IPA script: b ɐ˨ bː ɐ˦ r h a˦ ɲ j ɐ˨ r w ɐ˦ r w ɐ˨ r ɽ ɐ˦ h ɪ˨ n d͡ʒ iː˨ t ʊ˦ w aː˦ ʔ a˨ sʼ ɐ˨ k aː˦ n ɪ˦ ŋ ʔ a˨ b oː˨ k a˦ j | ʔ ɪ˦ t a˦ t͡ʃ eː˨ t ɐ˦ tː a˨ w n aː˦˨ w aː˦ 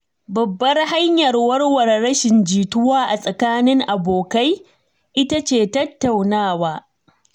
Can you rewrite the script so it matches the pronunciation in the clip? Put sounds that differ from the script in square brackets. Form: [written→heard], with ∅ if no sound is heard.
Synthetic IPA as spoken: b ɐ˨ bː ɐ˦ r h a˦ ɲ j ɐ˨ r w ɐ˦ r w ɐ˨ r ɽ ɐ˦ [h→ʃ] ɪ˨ n d͡ʒ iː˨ t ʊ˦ w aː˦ ʔ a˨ sʼ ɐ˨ k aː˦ n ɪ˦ ŋ ʔ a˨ b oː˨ k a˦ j | ʔ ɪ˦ t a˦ t͡ʃ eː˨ t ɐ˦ tː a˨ w n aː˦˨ w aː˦